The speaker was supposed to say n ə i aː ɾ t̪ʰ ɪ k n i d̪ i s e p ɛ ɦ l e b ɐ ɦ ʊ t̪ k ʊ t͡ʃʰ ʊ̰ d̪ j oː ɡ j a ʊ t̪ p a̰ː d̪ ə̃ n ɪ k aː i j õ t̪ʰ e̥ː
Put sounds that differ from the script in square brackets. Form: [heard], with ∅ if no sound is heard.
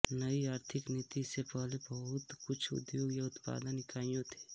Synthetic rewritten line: n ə i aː ɾ t̪ʰ ɪ k n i [t̪] i s e p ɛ ɦ l e b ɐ ɦ ʊ t̪ k ʊ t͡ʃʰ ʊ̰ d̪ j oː ɡ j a ʊ t̪ p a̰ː d̪ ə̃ n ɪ k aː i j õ t̪ʰ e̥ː